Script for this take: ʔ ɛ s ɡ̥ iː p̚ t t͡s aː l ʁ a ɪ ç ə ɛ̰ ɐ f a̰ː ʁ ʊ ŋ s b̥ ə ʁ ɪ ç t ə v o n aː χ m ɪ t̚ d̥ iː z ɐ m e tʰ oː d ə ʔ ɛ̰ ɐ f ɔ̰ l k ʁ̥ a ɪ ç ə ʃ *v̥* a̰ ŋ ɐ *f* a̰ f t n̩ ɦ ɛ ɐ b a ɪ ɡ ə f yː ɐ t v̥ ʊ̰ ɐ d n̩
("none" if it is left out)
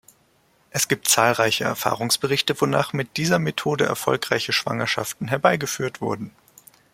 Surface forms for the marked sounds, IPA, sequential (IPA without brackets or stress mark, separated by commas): v̥, ʃ